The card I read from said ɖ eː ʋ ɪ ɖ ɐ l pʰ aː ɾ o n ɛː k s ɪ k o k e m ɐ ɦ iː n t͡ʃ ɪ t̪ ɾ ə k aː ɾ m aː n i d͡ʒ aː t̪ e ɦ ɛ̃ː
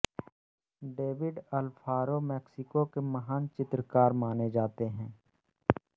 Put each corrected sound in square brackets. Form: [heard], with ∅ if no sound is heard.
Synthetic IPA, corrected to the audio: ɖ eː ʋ ɪ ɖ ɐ l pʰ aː ɾ o [m] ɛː k s ɪ k o k e m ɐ ɦ [aː] n t͡ʃ ɪ t̪ ɾ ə k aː ɾ m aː n [e] d͡ʒ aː t̪ e ɦ ɛ̃ː